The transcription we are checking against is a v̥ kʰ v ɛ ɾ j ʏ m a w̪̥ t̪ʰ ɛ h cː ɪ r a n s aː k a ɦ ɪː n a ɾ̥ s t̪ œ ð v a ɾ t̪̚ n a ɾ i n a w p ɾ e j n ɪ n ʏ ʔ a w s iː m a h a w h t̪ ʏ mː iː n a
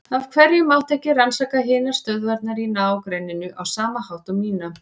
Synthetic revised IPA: a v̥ kʰ v ɛ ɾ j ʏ m a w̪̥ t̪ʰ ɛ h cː ɪ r a n s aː k a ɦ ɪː n a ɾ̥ s t̪ œ ð v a ɾ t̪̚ n a ɾ i n a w k ɾ e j n ɪ n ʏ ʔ a w s aː m a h a w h t̪ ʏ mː iː n a